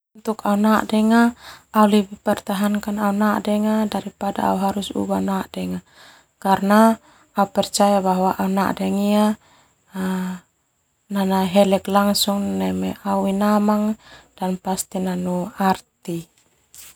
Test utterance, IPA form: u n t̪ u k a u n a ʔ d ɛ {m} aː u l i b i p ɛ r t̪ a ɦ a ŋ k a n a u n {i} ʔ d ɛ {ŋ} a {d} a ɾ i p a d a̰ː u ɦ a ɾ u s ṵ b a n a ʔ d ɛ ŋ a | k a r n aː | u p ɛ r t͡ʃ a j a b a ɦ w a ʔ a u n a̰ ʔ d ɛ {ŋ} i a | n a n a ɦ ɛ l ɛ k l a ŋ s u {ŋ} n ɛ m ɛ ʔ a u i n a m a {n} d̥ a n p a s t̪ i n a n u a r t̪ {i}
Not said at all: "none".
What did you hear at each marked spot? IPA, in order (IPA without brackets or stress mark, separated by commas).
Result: ŋ, a, ŋ, d, ŋ, ŋ, ŋ, i